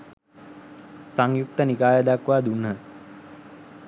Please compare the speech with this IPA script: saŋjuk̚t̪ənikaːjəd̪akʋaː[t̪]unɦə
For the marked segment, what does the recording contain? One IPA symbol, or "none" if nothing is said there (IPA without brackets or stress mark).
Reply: d̪